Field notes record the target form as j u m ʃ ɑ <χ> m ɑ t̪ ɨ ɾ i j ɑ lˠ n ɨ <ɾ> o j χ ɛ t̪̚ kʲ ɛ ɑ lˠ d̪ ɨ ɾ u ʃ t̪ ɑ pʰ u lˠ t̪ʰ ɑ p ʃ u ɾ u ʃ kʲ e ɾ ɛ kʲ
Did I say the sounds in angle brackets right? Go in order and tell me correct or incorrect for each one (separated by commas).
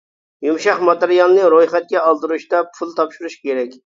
correct, correct